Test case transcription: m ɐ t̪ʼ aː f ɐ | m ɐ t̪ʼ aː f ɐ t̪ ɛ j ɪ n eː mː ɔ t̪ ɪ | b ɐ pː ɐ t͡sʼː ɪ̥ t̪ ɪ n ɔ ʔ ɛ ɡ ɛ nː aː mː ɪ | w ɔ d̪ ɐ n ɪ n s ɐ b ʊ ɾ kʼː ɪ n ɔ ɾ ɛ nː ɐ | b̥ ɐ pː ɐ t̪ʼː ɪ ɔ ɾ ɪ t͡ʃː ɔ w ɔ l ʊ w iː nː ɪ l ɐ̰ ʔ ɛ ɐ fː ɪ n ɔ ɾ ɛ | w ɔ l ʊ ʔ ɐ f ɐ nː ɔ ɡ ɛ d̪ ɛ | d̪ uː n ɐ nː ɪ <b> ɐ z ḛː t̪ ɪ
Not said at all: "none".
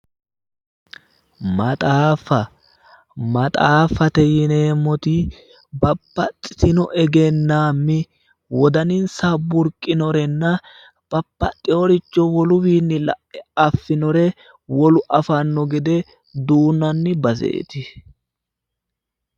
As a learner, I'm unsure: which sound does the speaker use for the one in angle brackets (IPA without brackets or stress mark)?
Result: b